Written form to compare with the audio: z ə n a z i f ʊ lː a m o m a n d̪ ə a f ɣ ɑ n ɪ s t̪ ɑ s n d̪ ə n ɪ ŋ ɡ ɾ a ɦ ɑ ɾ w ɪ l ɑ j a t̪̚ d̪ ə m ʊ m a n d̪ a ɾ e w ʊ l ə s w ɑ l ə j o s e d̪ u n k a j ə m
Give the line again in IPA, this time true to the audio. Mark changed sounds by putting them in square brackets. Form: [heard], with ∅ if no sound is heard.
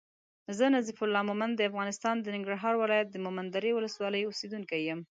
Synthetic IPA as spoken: z ə n a z i f ʊ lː [ɑ] m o m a n d̪ ə a f ɣ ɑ n ɪ s t̪ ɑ [∅] n d̪ ə n ɪ ŋ ɡ ɾ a ɦ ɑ ɾ w ɪ l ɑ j a t̪̚ d̪ ə m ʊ m a n d̪ a ɾ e w ʊ l ə s w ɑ l ə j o s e d̪ u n k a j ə m